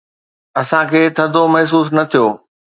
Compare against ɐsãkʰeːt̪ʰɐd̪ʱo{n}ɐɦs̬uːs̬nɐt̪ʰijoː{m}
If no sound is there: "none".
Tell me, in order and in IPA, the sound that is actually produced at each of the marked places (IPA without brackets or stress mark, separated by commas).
m, none